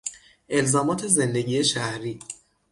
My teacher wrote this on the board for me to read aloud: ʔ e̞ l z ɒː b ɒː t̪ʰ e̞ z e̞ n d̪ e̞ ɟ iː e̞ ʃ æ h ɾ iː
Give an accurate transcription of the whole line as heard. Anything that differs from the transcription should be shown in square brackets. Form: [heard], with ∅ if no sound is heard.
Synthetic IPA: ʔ e̞ l z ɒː [m] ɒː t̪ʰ e̞ z e̞ n d̪ e̞ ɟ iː e̞ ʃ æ h ɾ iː